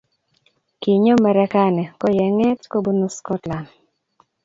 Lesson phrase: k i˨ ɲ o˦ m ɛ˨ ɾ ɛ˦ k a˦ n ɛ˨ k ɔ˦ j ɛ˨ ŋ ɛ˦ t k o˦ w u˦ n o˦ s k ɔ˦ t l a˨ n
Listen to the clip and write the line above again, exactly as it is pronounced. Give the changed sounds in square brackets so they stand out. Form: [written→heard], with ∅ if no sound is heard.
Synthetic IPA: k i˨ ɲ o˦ m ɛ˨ ɾ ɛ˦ k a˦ n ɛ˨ k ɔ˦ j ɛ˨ ŋ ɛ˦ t k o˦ [w→b] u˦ n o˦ s k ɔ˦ t l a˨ n